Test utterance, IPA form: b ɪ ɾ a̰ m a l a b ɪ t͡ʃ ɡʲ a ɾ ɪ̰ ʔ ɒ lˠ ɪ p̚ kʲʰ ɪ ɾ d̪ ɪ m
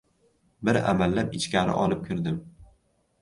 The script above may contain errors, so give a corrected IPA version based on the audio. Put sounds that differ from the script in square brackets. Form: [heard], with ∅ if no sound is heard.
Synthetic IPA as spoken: b ɪ ɾ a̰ m a [lː] a [p] ɪ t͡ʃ [kʲ] a ɾ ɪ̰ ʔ ɒ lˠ ɪ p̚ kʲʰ ɪ ɾ d̪ ɪ m